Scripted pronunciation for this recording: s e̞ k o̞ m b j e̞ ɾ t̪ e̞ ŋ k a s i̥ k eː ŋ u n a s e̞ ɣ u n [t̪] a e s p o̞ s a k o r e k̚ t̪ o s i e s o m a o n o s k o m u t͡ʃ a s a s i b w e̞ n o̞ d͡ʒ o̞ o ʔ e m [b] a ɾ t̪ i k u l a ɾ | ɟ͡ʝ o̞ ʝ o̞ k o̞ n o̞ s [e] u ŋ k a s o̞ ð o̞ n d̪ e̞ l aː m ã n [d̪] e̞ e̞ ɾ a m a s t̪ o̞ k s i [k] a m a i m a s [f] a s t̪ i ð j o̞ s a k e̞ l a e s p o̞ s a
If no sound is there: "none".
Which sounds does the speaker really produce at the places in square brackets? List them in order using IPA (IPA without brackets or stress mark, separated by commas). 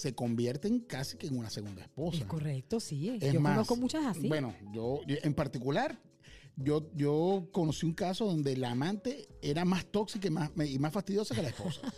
d̪, p, i, t̪, k, f